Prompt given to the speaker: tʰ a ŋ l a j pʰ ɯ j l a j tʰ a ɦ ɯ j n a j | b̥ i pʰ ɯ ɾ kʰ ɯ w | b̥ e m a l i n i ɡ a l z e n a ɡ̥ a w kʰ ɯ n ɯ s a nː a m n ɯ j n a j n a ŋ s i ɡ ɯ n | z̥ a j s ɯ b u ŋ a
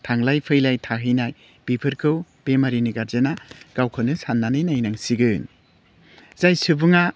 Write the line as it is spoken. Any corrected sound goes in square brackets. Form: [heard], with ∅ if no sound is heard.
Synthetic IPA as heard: tʰ a ŋ l a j pʰ ɯ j l a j tʰ a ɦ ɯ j n a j | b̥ i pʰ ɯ ɾ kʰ ɯ w | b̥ e m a [ɾ] i n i ɡ a [ɾ] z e n a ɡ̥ a w kʰ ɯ n ɯ s a nː a [∅] n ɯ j n a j n a ŋ s i ɡ ɯ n | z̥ a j s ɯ b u ŋ a